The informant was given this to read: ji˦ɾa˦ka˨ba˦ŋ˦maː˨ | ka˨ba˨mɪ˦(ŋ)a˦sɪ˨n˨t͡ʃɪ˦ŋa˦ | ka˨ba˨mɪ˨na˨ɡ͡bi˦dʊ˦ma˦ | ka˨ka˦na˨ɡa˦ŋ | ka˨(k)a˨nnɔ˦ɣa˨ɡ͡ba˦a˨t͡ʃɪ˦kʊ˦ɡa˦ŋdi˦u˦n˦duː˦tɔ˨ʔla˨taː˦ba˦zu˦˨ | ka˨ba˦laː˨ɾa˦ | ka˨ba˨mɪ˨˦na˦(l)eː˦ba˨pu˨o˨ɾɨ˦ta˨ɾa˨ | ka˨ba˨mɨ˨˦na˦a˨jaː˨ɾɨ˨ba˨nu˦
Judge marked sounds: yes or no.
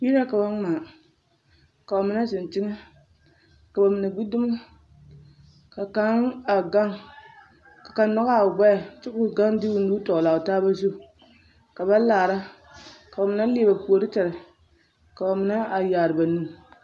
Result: no, yes, yes

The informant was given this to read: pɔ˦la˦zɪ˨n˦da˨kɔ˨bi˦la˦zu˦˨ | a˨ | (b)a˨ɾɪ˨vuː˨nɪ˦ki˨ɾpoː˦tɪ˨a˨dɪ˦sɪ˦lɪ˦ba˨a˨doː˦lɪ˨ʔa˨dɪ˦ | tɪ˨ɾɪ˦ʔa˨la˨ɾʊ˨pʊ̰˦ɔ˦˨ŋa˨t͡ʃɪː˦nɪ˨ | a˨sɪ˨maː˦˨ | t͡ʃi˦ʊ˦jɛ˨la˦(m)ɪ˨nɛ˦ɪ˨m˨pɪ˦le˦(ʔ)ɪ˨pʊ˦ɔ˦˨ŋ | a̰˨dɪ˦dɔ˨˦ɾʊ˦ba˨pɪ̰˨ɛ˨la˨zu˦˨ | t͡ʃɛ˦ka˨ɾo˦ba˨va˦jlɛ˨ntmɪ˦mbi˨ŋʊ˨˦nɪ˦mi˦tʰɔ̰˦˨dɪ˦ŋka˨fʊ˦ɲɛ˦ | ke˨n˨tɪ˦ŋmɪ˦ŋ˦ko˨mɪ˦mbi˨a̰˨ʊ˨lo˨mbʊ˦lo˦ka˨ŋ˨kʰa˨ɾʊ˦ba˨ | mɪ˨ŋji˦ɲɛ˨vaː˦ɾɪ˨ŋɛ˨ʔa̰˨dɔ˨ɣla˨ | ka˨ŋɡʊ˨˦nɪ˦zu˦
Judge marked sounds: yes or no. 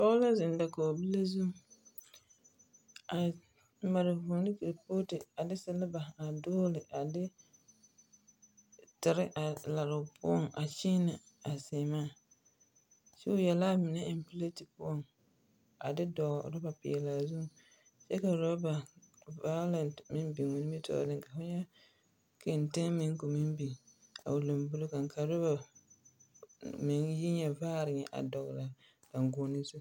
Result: no, yes, no

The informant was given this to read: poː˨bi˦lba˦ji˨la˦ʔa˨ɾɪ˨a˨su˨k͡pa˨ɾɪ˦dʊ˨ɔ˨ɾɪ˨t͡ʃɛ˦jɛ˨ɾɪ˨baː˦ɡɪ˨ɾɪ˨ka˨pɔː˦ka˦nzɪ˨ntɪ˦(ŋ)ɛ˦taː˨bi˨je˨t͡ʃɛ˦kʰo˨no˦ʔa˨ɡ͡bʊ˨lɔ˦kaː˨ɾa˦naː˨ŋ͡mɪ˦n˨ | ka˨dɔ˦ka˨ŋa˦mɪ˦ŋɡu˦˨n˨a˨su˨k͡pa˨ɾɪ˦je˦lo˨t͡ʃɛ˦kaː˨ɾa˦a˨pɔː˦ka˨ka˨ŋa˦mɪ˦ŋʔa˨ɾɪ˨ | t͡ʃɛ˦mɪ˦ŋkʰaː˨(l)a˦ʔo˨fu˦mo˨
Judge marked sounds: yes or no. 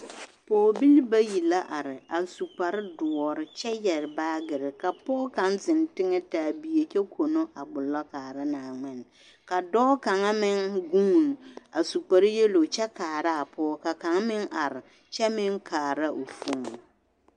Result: yes, no

